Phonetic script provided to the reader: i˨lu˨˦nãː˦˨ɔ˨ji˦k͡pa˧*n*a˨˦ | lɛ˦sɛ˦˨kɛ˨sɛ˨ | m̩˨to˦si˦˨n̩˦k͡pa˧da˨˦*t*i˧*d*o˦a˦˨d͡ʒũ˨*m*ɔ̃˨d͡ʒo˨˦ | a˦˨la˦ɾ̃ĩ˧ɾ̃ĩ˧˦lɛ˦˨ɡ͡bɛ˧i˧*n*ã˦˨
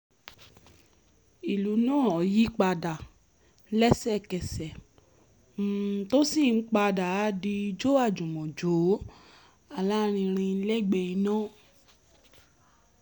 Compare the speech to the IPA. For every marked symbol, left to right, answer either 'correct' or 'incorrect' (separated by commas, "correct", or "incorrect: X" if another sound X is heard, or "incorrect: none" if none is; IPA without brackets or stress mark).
incorrect: d, incorrect: d, incorrect: d͡ʒ, correct, correct